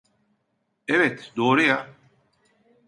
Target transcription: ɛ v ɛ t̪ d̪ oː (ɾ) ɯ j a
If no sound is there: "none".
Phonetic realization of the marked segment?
ɾ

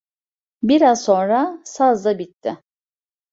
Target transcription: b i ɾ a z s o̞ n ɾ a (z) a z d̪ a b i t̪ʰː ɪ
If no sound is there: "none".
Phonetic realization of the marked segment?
s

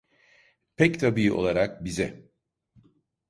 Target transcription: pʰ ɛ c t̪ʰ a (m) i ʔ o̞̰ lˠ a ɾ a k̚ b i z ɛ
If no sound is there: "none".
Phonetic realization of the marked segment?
b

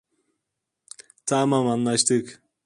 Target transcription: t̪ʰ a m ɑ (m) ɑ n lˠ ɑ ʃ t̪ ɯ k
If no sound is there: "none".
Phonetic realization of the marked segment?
m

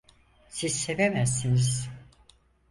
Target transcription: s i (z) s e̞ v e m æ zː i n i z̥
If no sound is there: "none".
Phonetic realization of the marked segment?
z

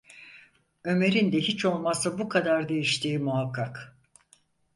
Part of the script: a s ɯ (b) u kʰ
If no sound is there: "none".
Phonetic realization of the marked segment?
b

